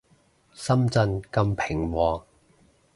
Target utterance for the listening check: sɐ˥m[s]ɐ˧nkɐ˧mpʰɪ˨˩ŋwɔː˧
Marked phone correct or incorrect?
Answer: incorrect